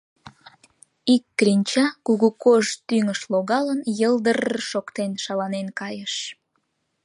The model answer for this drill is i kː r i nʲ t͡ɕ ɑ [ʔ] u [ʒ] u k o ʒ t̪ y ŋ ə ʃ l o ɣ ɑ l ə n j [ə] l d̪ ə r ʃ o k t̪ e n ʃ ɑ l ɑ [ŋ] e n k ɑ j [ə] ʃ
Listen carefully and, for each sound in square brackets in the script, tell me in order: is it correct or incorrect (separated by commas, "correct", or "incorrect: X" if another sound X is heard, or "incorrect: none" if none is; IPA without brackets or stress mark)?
incorrect: k, incorrect: ɣ, correct, incorrect: n, correct